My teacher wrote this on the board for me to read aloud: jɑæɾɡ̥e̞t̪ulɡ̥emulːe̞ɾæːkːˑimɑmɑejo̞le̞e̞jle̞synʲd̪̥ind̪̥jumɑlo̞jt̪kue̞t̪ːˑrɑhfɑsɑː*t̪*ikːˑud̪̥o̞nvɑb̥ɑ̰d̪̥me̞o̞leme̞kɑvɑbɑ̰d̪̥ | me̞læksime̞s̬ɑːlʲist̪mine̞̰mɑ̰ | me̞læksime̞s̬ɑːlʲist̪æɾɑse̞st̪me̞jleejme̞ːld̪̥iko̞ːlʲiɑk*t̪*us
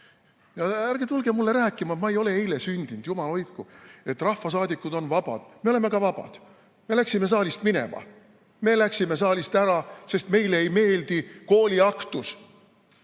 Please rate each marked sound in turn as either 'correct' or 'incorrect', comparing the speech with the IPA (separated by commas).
incorrect, correct